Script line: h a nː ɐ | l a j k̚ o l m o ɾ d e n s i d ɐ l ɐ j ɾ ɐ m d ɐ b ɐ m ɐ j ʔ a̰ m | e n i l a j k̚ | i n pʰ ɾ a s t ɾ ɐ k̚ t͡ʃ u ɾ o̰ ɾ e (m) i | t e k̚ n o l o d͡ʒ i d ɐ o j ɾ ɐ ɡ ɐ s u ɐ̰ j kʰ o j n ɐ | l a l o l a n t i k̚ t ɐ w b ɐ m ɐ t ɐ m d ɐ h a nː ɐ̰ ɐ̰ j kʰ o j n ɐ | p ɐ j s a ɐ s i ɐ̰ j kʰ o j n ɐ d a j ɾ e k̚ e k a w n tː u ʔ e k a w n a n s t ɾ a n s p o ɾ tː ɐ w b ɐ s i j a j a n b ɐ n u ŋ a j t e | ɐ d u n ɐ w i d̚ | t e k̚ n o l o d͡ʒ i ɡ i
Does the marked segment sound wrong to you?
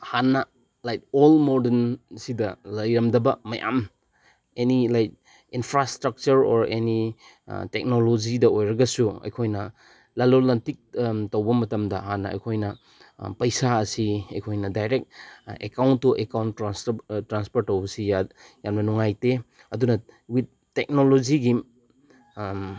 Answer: yes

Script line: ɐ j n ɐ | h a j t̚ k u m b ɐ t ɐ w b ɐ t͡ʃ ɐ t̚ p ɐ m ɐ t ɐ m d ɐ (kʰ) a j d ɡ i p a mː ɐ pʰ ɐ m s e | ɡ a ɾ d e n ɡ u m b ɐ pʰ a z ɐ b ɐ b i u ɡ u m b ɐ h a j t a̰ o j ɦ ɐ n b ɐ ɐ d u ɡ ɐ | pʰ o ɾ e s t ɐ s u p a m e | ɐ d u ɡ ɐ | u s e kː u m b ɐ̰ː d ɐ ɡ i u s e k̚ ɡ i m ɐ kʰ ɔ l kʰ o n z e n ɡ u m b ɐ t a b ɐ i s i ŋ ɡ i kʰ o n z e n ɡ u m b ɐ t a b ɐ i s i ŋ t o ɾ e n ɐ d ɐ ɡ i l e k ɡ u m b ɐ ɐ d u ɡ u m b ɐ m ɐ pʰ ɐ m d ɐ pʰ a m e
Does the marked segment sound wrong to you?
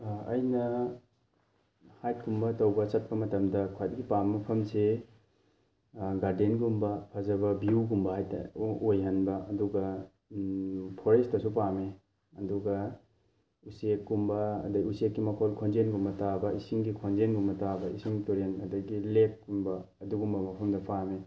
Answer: no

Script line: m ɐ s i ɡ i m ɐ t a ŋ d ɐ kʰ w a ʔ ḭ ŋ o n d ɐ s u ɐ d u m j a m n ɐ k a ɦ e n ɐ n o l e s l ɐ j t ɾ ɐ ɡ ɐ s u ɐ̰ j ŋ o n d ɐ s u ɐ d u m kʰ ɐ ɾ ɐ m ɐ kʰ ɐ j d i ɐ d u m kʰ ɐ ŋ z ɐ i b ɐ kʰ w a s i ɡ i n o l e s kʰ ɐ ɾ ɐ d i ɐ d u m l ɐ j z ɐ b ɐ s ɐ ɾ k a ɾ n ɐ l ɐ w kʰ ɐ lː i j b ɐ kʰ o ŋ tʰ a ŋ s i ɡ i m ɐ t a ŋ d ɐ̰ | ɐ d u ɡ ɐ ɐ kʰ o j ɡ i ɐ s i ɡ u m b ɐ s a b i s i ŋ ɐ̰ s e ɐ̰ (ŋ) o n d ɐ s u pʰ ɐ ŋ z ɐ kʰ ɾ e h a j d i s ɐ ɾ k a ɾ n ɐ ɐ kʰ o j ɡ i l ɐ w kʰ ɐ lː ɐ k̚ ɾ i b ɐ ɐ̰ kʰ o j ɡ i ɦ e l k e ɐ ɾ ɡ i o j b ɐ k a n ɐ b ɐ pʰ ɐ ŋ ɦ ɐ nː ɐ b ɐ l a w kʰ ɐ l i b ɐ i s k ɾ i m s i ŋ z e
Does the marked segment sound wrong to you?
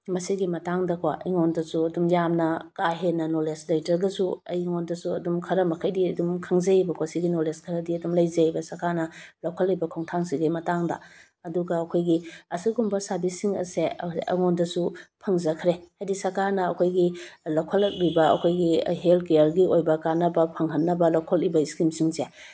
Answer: no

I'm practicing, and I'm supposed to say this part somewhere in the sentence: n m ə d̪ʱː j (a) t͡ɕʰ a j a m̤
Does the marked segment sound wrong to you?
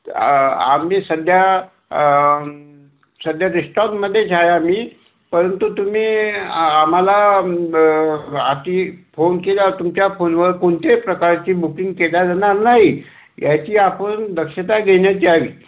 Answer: yes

